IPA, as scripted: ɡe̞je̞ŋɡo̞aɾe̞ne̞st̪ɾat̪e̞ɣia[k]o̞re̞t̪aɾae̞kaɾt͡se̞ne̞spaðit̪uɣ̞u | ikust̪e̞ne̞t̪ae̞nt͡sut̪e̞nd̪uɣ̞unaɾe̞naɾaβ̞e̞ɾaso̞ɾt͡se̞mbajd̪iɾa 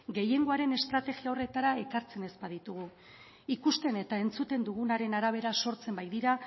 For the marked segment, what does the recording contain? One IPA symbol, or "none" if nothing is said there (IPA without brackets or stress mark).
none